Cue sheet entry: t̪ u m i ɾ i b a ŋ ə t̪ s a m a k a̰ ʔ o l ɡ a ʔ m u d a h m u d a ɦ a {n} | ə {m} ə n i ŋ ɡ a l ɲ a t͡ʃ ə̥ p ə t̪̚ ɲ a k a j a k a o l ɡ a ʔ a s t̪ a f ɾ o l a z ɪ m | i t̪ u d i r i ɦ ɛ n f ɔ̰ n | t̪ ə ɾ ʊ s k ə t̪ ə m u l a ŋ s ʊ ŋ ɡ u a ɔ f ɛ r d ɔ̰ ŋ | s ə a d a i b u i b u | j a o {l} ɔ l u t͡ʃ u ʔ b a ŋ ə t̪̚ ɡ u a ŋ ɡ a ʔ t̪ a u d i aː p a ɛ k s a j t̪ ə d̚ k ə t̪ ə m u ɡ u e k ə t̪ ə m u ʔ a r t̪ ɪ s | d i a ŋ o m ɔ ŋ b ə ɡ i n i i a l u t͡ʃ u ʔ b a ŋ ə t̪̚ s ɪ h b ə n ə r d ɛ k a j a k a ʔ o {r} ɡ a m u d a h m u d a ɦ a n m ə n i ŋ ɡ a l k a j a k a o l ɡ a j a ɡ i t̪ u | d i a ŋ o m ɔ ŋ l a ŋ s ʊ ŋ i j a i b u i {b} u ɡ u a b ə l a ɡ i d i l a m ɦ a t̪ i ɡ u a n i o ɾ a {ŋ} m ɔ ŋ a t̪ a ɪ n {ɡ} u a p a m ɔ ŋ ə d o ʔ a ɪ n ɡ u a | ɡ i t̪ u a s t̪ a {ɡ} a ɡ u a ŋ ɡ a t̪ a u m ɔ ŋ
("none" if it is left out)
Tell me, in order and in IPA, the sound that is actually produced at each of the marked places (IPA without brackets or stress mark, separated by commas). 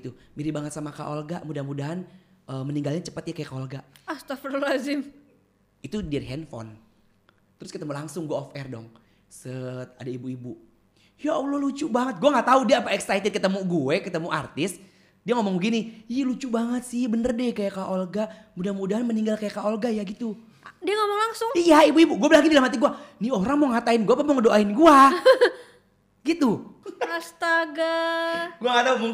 n, m, l, l, b, ŋ, ɡ, ɡ